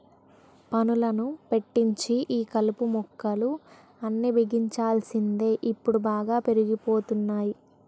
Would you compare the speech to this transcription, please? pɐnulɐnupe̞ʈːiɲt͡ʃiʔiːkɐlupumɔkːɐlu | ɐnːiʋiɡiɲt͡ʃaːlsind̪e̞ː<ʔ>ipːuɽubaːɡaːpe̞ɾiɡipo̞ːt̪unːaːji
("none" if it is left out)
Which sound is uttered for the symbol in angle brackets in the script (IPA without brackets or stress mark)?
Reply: ʔ